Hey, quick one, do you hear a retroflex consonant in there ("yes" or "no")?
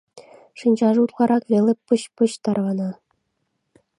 yes